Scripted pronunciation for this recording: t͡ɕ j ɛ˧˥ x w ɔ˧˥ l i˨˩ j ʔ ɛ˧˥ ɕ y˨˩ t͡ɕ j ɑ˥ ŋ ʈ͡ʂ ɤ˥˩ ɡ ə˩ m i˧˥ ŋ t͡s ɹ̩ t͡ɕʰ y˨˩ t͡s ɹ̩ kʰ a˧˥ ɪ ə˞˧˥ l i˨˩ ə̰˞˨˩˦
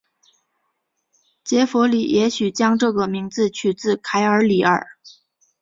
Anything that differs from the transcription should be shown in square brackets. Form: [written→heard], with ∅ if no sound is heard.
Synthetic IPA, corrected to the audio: t͡ɕ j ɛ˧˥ [x→f] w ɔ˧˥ l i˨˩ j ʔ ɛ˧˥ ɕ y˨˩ t͡ɕ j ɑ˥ ŋ ʈ͡ʂ ɤ˥˩ ɡ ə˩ m i˧˥ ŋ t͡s ɹ̩ t͡ɕʰ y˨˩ t͡s ɹ̩ kʰ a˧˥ ɪ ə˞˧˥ l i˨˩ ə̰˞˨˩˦